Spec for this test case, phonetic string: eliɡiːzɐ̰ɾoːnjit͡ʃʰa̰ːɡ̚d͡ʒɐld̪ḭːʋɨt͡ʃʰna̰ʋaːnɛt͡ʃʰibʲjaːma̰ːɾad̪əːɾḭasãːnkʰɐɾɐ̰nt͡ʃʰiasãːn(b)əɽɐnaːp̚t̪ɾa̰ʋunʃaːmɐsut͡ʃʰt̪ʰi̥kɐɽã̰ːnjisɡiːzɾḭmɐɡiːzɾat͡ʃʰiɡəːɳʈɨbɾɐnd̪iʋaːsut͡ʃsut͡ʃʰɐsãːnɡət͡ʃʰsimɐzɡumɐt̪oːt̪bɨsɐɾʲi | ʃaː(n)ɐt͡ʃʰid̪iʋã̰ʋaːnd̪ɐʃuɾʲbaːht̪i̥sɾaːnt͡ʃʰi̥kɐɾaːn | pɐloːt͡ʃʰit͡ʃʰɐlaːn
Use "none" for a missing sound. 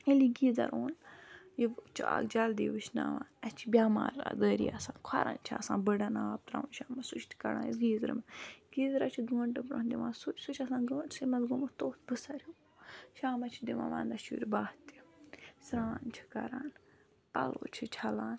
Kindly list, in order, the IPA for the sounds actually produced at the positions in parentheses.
b, m

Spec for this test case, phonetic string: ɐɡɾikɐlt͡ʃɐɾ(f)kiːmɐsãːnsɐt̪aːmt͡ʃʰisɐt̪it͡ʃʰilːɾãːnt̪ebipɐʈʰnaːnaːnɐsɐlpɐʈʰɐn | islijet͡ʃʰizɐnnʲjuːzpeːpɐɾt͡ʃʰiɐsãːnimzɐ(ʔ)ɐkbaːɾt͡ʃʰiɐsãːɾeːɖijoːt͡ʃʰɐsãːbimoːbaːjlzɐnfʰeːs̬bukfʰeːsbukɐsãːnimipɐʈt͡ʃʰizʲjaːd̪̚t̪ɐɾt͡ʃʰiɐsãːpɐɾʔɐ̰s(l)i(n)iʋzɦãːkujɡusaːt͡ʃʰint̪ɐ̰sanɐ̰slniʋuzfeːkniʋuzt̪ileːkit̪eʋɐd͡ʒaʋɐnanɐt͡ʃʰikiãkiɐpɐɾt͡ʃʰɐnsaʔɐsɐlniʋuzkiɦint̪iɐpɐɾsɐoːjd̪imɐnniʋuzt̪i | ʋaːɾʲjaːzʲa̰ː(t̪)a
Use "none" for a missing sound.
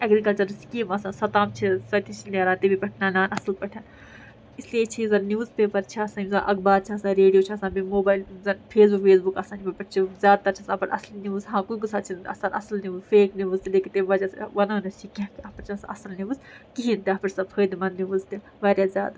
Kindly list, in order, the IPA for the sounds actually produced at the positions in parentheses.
s, ʔ, l, n, d̪

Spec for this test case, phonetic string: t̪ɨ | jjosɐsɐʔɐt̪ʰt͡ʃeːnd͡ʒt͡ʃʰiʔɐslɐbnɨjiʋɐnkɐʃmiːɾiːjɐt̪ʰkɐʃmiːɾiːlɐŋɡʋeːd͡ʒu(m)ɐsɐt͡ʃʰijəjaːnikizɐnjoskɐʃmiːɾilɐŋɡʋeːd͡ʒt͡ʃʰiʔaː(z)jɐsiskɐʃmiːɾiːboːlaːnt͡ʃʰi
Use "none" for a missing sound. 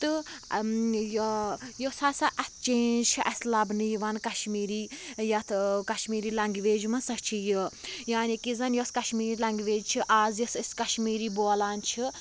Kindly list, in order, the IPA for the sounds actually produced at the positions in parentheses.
m, z

